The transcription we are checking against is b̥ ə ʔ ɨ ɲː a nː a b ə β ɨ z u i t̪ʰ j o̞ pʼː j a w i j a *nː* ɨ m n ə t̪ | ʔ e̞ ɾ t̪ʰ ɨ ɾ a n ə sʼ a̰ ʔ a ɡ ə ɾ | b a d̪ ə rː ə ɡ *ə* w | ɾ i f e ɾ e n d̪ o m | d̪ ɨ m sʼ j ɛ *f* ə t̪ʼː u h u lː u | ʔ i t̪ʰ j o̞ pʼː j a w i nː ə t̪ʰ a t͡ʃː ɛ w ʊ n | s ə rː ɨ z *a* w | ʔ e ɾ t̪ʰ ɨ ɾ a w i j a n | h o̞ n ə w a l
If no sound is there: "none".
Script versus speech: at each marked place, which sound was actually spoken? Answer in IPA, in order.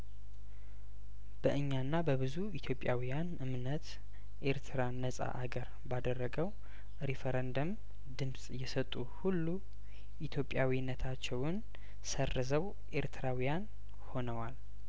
n, ə, s, ə

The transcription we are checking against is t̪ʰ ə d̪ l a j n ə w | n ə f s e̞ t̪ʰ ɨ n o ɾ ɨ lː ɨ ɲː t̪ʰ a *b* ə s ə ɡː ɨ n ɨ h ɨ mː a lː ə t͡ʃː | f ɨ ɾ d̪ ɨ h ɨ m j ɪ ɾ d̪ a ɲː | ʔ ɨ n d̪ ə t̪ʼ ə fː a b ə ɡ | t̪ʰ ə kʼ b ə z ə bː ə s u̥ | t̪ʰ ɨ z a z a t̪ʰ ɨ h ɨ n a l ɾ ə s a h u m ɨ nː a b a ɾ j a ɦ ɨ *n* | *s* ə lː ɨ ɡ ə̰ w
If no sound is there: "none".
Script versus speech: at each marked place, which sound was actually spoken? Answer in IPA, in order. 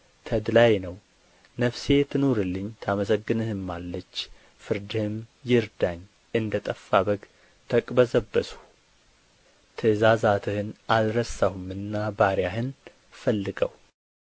m, n, f

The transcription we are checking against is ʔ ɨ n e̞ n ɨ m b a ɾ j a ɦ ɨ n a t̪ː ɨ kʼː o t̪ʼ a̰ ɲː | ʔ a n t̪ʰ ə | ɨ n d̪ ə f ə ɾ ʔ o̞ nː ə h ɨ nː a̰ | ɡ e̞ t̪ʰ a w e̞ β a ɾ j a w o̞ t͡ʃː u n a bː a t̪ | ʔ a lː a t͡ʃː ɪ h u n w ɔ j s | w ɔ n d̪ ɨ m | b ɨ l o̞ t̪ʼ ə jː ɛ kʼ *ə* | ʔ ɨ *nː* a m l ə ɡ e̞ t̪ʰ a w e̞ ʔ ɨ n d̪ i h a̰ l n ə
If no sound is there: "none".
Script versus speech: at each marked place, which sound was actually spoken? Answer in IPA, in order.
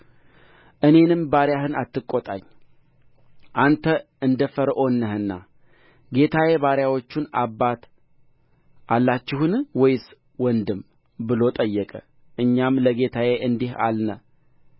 ə, ɲː

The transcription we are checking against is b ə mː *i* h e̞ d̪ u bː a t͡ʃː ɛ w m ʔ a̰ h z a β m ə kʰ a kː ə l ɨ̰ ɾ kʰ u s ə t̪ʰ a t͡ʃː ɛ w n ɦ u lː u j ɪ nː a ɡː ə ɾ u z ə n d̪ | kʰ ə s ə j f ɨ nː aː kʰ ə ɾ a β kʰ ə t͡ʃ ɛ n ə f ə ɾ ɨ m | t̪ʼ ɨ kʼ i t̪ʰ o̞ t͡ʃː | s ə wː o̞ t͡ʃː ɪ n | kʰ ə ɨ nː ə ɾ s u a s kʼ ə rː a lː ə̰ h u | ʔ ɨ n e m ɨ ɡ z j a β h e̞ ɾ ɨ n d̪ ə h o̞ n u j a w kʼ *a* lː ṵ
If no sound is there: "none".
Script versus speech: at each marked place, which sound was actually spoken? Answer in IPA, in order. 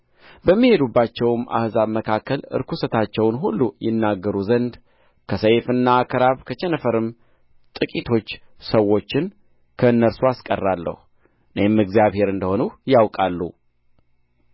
i, a

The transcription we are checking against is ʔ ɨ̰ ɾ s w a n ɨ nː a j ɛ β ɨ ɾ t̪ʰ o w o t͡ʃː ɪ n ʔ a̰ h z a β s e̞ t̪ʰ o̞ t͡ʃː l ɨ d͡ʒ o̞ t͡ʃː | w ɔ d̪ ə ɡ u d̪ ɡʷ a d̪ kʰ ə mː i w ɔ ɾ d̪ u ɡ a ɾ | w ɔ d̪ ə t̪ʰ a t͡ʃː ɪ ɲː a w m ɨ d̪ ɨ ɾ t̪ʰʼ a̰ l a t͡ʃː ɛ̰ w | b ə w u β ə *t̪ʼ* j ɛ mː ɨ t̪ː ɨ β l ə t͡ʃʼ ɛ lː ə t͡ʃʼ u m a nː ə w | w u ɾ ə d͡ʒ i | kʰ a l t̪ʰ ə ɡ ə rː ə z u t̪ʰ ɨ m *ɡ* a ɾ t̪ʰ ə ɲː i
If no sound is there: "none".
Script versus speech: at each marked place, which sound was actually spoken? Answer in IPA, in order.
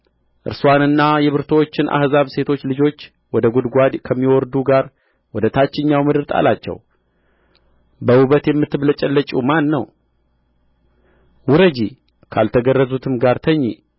t̪, ɡ

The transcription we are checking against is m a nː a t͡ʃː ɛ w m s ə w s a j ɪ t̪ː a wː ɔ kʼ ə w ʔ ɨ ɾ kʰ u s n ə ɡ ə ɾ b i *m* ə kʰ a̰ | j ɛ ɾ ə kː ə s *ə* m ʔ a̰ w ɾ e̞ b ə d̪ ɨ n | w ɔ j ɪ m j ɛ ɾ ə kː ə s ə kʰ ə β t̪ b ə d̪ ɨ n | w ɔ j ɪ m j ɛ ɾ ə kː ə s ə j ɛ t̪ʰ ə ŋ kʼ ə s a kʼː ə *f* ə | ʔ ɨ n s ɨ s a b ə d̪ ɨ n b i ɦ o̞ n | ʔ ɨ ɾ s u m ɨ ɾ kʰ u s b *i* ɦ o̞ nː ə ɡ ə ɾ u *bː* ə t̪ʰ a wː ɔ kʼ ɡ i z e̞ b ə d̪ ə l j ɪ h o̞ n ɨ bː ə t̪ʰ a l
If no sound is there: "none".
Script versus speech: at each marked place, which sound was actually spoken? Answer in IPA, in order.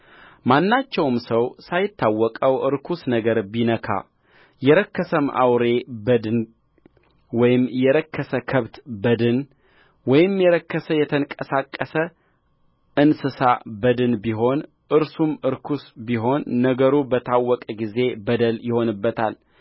n, ə, s, i, b

